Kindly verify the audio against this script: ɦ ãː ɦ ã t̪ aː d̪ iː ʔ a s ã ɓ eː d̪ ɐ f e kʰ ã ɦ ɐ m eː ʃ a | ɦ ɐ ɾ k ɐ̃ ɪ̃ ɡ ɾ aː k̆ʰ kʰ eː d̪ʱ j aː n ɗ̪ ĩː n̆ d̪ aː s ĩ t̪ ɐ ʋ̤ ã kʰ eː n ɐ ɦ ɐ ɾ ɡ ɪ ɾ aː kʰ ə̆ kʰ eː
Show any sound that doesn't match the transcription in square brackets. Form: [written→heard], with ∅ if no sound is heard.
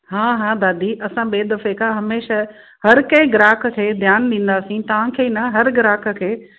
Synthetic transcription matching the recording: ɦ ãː ɦ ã [t̪→d̪] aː d̪ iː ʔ [a→ɐ] s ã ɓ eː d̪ ɐ f e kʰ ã ɦ ɐ m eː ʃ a | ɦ ɐ ɾ k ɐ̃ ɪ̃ ɡ ɾ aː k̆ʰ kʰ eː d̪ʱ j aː n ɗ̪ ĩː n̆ d̪ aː s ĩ t̪ ɐ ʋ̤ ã kʰ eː n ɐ ɦ ɐ ɾ ɡ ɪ ɾ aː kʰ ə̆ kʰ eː